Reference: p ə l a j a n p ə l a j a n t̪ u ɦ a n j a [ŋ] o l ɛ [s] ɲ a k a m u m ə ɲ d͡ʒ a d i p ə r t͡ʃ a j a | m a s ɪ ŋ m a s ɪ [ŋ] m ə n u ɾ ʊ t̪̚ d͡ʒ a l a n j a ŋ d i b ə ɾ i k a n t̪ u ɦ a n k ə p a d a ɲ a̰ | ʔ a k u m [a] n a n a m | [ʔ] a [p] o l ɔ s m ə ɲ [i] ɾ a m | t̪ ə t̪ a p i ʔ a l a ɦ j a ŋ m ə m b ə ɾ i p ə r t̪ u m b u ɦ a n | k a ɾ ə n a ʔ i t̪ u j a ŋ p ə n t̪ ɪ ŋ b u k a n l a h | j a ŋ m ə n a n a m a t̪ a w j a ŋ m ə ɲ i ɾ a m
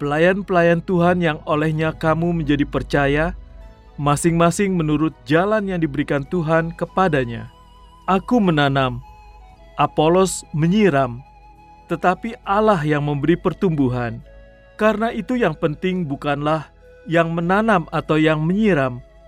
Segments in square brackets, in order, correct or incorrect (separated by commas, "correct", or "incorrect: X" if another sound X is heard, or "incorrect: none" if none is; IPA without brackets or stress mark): correct, incorrect: h, correct, incorrect: ə, correct, correct, correct